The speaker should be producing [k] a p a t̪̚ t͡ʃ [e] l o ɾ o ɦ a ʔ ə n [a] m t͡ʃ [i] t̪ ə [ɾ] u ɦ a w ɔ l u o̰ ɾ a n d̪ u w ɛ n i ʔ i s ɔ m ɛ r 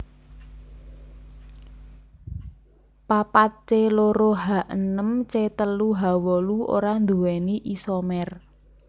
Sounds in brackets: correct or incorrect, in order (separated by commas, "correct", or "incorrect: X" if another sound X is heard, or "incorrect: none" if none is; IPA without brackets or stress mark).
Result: incorrect: p, correct, incorrect: ə, incorrect: e, incorrect: l